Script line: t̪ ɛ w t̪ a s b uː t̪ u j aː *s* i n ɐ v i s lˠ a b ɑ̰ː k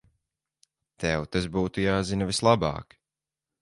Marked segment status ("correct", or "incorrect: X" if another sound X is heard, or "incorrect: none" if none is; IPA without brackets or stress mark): incorrect: z